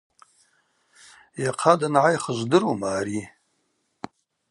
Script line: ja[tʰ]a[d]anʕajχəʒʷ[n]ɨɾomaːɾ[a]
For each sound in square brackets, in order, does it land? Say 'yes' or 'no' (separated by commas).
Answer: no, yes, no, no